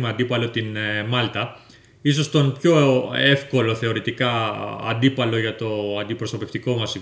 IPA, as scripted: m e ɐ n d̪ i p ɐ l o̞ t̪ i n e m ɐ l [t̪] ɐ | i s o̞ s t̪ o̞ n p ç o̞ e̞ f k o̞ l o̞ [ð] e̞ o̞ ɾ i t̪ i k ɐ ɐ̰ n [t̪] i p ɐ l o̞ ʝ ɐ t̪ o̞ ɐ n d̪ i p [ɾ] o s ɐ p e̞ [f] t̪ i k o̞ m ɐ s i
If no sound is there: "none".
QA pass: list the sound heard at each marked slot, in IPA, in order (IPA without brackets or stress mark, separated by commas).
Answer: t̪, θ, d̪, ɾ, f